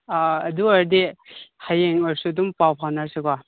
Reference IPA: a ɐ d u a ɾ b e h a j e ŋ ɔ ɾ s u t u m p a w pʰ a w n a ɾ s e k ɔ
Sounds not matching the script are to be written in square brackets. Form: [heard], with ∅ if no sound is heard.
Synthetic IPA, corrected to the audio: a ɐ d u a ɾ [d] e h a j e ŋ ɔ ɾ s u [d] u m p a w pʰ a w n a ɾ s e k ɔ